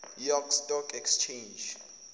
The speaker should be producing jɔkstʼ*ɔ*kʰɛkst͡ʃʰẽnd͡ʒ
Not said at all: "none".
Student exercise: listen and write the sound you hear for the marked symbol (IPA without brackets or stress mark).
ɔ